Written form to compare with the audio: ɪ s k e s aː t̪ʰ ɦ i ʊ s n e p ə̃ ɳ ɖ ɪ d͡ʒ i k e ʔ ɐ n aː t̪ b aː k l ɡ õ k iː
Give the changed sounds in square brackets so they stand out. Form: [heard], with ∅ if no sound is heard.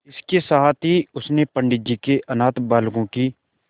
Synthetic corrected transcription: ɪ s k e s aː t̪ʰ ɦ i ʊ s n e p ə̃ ɳ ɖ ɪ d͡ʒ i k e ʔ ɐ n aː t̪ b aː [∅] l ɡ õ k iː